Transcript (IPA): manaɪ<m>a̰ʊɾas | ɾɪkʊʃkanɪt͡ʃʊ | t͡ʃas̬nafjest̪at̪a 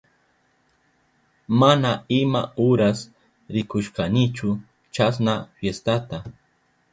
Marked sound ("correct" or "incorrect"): correct